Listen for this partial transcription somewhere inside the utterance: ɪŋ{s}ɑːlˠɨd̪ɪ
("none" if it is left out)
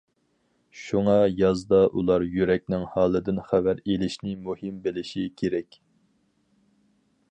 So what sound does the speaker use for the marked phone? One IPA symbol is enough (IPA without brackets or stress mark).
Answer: h